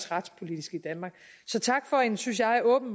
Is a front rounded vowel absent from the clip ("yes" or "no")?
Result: no